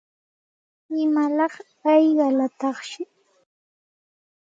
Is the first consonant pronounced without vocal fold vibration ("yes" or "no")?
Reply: no